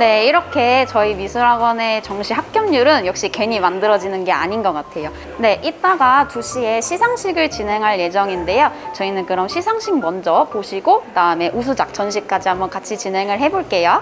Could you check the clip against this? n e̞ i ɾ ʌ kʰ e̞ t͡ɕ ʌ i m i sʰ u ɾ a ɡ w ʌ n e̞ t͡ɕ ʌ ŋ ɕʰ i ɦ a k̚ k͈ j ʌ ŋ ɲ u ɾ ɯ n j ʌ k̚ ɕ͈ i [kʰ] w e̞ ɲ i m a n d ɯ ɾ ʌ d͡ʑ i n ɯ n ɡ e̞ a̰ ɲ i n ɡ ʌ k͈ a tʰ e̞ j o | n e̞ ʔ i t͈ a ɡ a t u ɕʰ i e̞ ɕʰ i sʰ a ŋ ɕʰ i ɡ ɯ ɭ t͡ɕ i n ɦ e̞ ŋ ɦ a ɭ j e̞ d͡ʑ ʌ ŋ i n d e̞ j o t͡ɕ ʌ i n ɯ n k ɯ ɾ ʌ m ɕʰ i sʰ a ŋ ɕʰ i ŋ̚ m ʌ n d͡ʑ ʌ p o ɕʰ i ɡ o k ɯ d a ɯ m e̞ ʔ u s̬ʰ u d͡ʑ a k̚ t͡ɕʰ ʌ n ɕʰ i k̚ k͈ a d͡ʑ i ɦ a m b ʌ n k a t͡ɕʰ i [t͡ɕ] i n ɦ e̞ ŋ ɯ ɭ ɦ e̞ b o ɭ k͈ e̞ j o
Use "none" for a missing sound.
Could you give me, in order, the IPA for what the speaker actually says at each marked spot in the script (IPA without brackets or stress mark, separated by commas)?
k, t͡ɕ